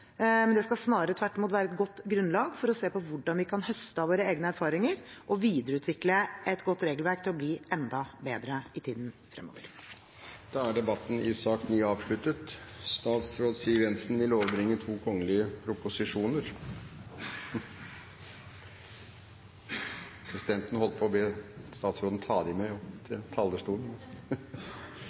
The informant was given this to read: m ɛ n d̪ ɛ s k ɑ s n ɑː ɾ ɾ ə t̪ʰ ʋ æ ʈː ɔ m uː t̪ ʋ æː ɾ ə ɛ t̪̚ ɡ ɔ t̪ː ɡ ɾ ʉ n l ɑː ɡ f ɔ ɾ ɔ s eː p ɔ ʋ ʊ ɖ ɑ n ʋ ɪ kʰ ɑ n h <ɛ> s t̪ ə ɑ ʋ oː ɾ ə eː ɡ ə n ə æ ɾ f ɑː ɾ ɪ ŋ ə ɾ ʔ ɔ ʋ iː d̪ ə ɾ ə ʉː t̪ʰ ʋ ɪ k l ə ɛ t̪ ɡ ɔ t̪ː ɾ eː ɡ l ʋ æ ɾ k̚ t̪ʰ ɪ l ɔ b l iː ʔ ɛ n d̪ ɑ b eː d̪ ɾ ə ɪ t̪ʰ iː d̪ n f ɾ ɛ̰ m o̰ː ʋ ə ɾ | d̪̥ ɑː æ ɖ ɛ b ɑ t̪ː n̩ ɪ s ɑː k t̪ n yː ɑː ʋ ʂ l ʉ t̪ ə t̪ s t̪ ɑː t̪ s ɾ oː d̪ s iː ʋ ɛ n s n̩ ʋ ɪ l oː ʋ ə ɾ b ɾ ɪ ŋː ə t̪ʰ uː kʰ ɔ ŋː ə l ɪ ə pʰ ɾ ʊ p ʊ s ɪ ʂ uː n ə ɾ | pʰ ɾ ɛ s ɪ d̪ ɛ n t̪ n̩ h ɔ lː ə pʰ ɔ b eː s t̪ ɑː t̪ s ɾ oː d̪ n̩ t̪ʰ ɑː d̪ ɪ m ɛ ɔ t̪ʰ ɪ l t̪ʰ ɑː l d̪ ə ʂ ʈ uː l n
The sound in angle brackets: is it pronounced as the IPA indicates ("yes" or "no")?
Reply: no